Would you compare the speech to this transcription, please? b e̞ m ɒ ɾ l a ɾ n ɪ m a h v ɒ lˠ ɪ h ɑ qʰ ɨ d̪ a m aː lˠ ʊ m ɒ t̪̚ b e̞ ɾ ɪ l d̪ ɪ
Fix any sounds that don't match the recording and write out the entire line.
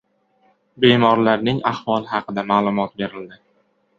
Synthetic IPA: b e̞ m ɒ ɾ l a ɾ n ɪ ŋ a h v ɒ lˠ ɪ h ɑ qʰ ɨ d̪ a m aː lˠ ʊ m ɒ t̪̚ b e̞ ɾ ɪ l d̪ ɪ